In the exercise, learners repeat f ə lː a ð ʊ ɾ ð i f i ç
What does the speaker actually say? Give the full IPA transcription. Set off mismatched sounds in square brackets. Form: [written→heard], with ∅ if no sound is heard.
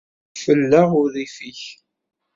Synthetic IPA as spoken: f ə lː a [ð→ʁ] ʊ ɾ ð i f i ç